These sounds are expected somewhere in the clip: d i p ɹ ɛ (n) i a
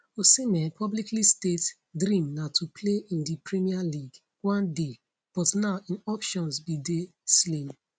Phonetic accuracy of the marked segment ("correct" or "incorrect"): incorrect